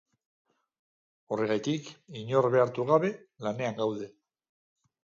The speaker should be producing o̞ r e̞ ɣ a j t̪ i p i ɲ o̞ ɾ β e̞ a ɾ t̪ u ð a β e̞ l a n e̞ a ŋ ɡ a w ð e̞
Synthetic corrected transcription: o̞ r e̞ ɣ a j t̪ i k i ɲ o̞ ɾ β e̞ a ɾ t̪ u ɣ a β e̞ l a n e̞ a ŋ ɡ a w ð e̞